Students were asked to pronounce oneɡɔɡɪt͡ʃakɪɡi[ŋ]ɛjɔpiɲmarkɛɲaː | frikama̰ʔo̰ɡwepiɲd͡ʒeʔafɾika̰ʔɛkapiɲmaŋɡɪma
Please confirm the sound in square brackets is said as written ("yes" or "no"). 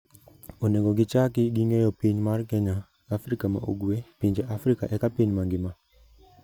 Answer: yes